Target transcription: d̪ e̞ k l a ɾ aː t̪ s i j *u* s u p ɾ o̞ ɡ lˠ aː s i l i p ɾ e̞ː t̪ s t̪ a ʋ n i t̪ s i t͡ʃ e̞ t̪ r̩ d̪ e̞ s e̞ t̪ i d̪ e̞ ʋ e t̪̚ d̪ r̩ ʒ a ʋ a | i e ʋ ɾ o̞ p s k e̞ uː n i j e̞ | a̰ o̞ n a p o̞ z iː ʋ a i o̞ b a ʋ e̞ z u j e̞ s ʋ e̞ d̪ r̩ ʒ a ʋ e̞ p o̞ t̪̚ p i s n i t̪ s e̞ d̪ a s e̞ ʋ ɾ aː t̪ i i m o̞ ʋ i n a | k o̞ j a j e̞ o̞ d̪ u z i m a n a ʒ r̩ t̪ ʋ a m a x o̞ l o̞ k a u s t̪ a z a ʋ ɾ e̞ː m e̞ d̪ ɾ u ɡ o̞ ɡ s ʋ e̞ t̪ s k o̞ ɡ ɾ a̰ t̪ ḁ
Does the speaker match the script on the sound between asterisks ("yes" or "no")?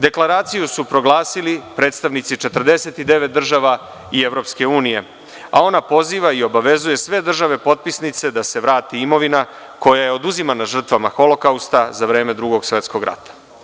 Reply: yes